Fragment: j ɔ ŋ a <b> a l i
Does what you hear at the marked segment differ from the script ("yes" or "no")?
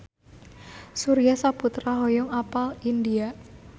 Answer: yes